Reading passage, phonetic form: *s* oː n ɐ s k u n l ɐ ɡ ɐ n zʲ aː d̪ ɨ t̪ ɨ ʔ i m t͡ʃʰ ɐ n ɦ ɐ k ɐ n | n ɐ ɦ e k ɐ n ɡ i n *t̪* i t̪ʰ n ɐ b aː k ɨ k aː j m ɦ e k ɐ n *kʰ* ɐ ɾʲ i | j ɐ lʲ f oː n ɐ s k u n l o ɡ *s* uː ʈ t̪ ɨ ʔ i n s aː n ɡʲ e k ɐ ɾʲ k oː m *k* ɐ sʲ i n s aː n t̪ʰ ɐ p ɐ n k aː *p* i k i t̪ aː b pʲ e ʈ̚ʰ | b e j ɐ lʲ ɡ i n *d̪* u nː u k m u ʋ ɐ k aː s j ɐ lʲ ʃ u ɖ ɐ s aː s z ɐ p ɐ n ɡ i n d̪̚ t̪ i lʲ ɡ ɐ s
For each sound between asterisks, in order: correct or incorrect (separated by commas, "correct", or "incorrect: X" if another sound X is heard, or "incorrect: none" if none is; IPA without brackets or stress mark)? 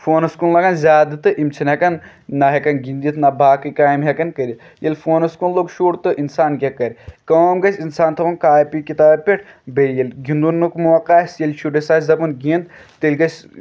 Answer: incorrect: f, incorrect: d̪, incorrect: k, incorrect: ʃ, incorrect: ɡ, correct, correct